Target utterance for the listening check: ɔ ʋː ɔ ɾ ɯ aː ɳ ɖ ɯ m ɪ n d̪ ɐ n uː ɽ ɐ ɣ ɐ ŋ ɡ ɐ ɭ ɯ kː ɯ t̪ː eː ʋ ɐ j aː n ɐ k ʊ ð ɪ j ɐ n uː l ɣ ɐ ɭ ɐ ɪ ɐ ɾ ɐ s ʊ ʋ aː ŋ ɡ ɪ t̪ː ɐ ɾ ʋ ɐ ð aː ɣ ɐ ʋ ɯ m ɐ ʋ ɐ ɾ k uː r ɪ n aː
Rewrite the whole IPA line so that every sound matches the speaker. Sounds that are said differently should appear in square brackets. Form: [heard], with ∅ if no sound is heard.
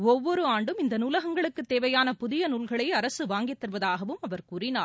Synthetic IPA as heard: ɔ ʋː ɔ ɾ ɯ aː ɳ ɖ ɯ m ɪ n d̪ ɐ n uː [l] ɐ ɣ ɐ ŋ ɡ ɐ ɭ ɯ kː ɯ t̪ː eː ʋ ɐ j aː n ɐ [p] ʊ ð ɪ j ɐ n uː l ɣ ɐ ɭ ɐ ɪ ɐ ɾ ɐ s [ɯ] ʋ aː ŋ ɡ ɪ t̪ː ɐ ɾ ʋ ɐ ð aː ɣ ɐ ʋ ɯ m ɐ ʋ ɐ ɾ k uː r ɪ n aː